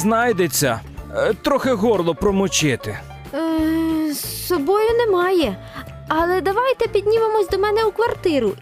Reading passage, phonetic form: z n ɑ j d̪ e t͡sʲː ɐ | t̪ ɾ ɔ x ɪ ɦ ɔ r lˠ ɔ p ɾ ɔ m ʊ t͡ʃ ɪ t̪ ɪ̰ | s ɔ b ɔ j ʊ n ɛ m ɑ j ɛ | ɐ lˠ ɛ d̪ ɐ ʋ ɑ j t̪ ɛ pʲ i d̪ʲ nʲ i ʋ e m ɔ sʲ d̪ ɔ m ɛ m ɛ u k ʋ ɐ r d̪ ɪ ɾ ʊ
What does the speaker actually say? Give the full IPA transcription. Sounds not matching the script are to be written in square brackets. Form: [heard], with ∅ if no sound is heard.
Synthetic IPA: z n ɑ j d̪ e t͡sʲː ɐ | t̪ ɾ ɔ x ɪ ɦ ɔ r lˠ ɔ p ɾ ɔ m ʊ t͡ʃ ɪ t̪ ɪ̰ | s ɔ b ɔ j ʊ n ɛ m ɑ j ɛ | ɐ lˠ ɛ d̪ ɐ ʋ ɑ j t̪ ɛ pʲ i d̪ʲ nʲ i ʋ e m ɔ sʲ d̪ ɔ m ɛ [n] ɛ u k ʋ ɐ r [t̪] ɪ ɾ ʊ